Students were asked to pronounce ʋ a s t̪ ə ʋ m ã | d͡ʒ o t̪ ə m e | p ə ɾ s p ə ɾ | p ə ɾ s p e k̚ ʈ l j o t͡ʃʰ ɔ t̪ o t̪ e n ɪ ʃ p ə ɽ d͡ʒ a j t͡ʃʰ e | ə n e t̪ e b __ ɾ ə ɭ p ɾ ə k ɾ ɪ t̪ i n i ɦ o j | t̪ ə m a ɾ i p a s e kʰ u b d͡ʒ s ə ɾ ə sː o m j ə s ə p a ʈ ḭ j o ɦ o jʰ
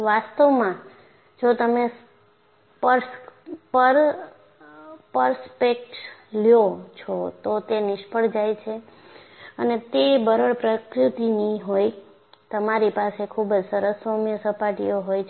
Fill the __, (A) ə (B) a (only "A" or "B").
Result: A